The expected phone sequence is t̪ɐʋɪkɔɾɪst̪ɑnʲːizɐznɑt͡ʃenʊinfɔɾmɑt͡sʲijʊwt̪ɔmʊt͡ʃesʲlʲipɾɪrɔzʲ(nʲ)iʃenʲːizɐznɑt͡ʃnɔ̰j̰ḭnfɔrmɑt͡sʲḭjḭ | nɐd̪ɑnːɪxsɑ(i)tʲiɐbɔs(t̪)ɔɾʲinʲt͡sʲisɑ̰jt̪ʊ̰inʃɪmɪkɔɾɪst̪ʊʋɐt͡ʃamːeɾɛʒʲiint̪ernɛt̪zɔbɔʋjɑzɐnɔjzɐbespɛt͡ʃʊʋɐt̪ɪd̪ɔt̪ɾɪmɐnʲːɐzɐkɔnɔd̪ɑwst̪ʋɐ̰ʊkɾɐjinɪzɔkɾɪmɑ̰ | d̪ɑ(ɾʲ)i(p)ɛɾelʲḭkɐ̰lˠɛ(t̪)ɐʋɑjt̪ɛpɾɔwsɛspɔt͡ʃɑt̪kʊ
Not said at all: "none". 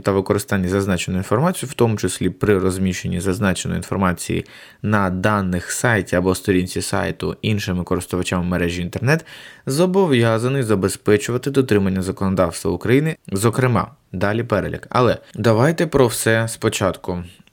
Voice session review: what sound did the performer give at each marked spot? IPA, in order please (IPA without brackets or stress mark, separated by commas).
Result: mʲ, j, t̪, lʲ, p, d̪